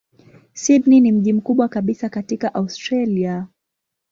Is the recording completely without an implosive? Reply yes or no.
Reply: no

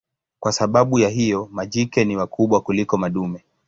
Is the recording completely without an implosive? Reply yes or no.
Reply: no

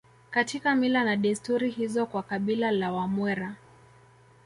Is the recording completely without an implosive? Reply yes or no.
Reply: no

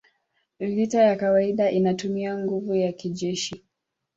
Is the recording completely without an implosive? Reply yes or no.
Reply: no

